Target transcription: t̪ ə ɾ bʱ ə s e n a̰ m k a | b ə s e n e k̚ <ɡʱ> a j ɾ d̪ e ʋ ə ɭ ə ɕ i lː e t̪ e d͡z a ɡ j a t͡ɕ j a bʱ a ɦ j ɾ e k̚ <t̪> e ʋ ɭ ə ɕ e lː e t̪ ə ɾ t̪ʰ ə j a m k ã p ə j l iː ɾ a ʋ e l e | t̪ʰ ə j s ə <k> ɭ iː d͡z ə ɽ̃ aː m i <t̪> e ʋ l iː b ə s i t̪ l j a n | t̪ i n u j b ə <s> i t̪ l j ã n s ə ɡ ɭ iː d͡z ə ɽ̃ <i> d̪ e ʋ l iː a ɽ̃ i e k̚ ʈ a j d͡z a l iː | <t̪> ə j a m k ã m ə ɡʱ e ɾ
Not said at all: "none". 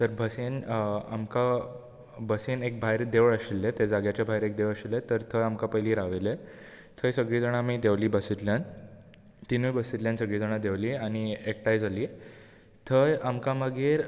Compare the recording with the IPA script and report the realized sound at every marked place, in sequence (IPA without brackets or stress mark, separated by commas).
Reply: bʱ, d̪, ɡ, d̪, s, a, t̪ʰ